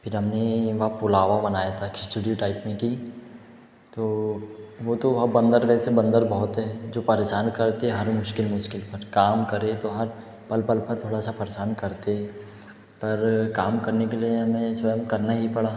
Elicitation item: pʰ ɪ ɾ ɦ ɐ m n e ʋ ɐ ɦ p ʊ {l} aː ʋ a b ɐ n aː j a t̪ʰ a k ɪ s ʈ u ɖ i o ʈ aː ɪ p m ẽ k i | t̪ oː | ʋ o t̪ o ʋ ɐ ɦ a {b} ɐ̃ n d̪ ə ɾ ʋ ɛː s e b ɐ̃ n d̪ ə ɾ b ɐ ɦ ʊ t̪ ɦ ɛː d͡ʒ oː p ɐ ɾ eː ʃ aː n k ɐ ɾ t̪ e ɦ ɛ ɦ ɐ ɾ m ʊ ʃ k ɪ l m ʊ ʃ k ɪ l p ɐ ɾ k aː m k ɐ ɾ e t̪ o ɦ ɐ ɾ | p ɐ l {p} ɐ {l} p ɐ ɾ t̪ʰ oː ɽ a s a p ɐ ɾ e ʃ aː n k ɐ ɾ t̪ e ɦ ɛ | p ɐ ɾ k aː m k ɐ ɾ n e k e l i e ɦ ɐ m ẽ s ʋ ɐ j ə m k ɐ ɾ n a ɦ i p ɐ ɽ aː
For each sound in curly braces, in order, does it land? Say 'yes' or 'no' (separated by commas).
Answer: yes, yes, yes, yes